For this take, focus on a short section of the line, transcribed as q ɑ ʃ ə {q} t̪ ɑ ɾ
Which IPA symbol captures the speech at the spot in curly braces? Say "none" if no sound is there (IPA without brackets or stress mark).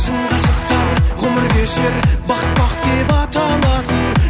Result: q